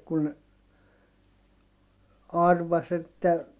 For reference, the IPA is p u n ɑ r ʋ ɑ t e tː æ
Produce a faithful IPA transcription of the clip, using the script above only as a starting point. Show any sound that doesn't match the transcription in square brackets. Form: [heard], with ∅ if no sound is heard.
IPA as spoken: [k] u n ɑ r ʋ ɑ [s] e tː æ